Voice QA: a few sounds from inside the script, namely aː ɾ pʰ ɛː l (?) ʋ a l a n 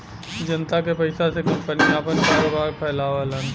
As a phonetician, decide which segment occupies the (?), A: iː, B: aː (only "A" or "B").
B